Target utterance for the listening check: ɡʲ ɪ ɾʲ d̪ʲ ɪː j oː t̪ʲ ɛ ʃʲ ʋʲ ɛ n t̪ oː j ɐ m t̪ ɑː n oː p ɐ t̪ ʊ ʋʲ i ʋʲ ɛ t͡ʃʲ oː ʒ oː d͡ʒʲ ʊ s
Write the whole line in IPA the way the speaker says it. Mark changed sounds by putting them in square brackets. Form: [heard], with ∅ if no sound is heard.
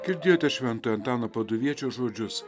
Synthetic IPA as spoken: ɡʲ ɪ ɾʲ d̪ʲ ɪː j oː t̪ʲ ɛ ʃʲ ʋʲ ɛ n t̪ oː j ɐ [n] t̪ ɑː n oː p ɐ [d̪] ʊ ʋʲ i [∅] ɛ t͡ʃʲ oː ʒ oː d͡ʒʲ ʊ s